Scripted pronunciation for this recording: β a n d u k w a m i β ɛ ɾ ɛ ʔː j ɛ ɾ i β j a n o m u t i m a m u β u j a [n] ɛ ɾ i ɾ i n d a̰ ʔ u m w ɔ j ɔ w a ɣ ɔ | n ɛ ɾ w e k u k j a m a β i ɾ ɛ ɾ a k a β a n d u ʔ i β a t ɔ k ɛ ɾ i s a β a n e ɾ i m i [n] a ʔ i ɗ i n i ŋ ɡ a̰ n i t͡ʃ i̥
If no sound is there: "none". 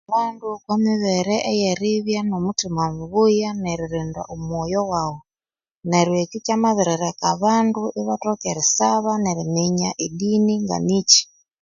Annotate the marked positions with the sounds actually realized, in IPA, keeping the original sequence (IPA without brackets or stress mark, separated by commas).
n, ɲ